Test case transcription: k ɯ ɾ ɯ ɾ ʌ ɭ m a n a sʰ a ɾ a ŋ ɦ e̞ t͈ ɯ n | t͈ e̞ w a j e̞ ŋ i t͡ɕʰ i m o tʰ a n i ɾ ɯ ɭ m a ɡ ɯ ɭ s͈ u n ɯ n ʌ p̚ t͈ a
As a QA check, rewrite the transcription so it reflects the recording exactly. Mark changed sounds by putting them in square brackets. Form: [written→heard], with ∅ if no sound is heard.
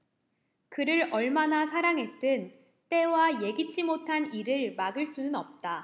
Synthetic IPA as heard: k ɯ ɾ ɯ ɾ ʌ ɭ m a n a sʰ a ɾ a ŋ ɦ e̞ t͈ ɯ n | t͈ e̞ w a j e̞ [ŋ→ɡ] i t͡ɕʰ i m o tʰ a n i ɾ ɯ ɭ m a ɡ ɯ ɭ s͈ u n ɯ n ʌ p̚ t͈ a